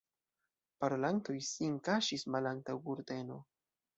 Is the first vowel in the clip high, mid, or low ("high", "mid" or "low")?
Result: low